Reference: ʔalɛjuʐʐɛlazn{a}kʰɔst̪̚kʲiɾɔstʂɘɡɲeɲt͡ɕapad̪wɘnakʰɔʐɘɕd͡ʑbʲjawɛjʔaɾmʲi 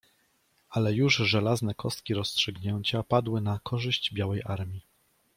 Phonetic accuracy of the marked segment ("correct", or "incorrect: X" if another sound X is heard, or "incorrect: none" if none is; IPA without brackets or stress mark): incorrect: ɛ